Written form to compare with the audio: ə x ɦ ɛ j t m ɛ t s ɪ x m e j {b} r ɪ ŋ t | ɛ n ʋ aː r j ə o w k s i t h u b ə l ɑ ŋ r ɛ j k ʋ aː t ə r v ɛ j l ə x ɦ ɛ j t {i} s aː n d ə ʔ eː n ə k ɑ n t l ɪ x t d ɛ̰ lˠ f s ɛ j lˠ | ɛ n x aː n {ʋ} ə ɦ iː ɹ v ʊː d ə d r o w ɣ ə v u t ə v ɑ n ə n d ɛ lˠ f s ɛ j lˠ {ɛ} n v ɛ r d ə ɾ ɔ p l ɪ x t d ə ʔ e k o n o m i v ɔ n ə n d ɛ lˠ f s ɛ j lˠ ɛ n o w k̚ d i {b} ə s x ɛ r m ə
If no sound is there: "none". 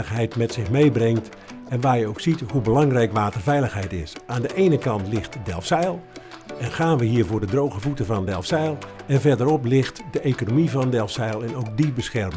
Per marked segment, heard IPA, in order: b, ɪ, ʋ, ɛ, b

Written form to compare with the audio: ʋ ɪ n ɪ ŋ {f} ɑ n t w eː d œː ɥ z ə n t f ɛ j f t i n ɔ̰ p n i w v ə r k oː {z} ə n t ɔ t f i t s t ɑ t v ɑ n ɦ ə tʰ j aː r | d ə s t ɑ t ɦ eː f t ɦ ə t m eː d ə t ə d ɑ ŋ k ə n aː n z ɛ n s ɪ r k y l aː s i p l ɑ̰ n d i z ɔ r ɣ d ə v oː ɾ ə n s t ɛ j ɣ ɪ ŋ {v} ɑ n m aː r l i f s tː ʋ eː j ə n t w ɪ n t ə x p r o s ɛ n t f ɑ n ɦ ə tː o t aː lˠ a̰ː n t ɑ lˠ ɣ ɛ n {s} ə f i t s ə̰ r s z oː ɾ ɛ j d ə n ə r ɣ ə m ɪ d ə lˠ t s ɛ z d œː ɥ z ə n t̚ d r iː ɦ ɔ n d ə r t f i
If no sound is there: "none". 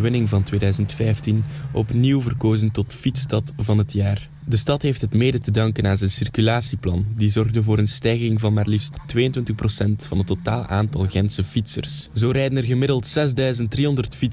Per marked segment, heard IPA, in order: v, z, v, s

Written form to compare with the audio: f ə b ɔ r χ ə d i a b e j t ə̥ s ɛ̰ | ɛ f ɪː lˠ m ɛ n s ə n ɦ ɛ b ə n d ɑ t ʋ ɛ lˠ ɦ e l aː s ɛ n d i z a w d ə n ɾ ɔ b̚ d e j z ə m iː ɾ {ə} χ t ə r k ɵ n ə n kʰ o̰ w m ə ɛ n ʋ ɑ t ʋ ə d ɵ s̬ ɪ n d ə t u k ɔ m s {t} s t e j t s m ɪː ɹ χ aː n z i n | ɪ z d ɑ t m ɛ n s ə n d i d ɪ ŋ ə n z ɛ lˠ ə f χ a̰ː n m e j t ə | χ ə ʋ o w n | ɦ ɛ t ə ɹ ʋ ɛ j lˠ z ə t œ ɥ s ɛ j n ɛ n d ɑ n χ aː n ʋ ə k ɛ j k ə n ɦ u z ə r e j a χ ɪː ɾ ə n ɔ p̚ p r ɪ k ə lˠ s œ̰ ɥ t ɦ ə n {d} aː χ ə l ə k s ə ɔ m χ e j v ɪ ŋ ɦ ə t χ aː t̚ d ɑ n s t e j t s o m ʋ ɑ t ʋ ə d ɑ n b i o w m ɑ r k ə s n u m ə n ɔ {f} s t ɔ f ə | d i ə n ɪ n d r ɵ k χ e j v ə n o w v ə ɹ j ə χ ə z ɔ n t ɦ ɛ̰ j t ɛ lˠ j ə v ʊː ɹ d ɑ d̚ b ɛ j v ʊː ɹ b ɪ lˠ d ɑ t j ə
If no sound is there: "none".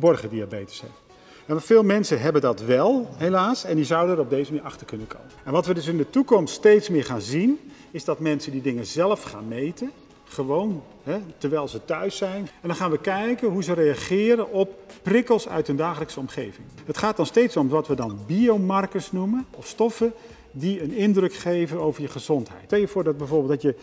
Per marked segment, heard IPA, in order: ɑ, t, d, f

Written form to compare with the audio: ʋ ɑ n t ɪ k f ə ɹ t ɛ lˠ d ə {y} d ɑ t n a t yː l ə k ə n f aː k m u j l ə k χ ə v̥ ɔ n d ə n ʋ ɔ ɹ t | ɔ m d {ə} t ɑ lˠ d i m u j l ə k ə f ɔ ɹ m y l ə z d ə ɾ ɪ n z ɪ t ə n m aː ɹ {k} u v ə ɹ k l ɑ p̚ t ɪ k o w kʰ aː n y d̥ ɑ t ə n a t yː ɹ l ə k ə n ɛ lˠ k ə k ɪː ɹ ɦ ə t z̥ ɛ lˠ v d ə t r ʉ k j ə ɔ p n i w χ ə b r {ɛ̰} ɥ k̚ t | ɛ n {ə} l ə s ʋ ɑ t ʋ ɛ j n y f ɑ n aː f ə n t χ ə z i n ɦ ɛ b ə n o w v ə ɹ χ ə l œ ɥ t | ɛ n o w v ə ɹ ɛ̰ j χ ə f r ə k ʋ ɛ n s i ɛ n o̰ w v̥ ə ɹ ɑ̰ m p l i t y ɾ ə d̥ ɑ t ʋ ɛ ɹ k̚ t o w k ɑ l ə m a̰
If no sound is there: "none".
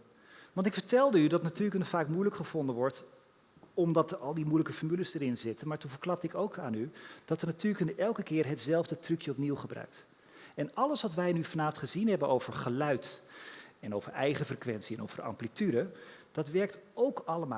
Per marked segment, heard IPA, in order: y, ɑ, t, œ̰, ɑ

